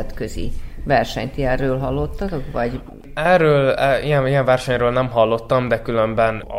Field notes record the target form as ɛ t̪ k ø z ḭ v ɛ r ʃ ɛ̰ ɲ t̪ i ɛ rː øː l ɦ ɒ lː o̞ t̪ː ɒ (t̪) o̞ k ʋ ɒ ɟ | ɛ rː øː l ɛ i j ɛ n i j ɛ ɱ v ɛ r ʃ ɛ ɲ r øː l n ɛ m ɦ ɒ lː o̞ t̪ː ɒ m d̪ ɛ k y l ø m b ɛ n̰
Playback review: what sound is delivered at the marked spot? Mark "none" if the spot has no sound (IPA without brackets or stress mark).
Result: t̪